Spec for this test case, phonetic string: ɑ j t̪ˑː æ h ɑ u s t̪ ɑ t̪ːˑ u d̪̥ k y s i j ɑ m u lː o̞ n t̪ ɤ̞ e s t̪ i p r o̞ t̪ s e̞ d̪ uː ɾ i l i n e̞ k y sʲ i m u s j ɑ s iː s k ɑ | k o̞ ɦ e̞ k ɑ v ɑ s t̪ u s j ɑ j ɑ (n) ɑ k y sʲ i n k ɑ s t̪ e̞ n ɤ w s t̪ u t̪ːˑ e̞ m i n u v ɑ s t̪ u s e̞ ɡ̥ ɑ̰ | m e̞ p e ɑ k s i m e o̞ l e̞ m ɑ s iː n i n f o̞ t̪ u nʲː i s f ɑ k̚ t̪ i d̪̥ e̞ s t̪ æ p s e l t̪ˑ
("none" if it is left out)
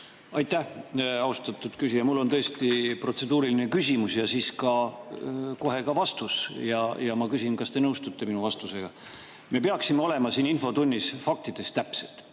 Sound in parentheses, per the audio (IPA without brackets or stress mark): m